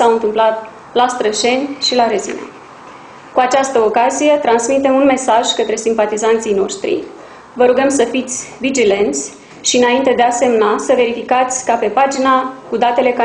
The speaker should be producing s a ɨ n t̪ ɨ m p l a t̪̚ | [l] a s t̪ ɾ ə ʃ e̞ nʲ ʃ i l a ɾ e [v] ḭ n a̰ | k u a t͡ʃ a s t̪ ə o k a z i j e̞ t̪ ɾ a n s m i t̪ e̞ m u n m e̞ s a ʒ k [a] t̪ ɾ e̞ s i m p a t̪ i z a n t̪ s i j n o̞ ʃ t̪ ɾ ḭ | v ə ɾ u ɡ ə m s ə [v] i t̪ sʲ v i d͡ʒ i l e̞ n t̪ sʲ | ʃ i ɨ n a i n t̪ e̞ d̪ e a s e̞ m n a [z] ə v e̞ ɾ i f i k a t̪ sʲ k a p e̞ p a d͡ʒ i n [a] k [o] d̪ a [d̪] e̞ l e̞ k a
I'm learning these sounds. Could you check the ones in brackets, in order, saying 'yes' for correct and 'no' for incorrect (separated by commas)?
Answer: yes, no, no, no, no, yes, no, no